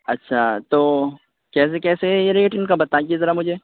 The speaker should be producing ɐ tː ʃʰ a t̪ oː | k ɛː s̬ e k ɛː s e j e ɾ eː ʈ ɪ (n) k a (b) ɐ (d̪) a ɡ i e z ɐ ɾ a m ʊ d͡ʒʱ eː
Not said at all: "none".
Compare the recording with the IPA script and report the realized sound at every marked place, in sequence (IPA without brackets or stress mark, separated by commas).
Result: n, b, t̪